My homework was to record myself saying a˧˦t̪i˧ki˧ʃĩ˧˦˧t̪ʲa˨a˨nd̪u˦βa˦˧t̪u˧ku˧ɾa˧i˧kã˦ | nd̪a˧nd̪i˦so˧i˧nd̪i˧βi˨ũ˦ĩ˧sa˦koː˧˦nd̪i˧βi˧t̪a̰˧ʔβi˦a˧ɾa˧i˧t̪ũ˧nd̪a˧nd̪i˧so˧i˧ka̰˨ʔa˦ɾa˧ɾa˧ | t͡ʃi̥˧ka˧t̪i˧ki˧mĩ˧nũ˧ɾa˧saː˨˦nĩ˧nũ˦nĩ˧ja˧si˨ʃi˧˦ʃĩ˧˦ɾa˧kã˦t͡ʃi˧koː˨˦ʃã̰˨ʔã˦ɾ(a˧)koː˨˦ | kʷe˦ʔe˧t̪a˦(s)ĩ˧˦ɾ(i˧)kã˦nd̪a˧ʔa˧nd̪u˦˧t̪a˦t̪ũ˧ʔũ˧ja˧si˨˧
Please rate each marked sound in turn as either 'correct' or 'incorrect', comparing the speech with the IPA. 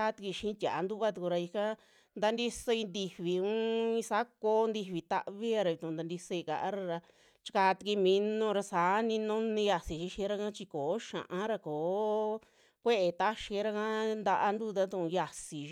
correct, incorrect, incorrect

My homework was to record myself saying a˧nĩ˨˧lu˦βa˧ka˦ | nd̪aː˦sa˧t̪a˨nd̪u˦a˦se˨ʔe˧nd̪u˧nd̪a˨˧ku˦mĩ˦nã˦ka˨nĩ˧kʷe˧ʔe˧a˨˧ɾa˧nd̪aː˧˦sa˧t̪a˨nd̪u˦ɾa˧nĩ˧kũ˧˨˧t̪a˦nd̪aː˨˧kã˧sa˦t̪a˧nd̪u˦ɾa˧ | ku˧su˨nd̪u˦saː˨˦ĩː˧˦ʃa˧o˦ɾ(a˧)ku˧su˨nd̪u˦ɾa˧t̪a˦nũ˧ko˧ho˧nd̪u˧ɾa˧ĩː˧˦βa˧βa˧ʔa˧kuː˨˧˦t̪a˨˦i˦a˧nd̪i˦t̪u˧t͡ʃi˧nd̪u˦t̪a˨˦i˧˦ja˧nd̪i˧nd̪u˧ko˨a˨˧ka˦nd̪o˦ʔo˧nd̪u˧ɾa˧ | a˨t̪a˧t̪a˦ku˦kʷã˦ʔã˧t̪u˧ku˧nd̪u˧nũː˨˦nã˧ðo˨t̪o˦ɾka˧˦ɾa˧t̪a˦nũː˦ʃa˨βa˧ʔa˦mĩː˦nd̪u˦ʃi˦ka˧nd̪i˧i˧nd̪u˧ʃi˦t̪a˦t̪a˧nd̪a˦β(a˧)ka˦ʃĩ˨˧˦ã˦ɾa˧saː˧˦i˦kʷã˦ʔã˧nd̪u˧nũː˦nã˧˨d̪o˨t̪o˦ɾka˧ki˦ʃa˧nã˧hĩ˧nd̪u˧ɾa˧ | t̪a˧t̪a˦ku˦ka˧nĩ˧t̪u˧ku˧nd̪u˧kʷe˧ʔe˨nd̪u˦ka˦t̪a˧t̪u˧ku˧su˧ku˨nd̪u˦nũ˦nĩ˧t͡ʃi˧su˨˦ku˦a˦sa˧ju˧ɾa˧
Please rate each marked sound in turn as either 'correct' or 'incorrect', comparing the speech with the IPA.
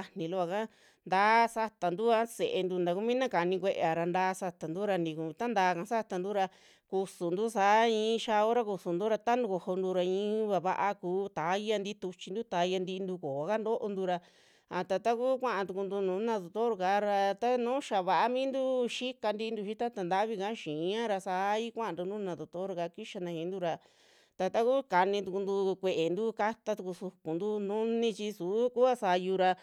correct, incorrect

